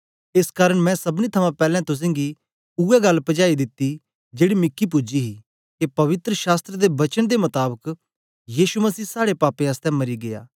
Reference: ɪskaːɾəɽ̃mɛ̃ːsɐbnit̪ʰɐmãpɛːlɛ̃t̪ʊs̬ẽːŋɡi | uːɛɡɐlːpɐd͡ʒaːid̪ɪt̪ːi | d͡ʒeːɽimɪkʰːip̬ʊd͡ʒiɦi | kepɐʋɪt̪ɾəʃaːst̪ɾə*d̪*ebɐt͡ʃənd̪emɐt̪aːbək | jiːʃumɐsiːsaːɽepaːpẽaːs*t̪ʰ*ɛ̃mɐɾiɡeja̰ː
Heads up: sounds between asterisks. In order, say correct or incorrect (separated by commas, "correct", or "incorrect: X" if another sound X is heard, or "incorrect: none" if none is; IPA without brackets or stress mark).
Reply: correct, incorrect: t̪